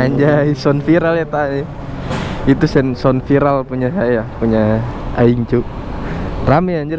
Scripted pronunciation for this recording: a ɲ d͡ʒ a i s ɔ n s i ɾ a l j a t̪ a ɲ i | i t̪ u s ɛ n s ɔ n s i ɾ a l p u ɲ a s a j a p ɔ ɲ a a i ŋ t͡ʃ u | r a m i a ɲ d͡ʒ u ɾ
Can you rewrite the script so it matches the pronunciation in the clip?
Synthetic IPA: a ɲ d͡ʒ a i s ɔ n f i ɾ a l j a t̪ a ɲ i | i t̪ u s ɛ n s ɔ n f i ɾ a l p u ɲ a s a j a p u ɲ a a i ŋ t͡ʃ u | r a m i a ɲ d͡ʒ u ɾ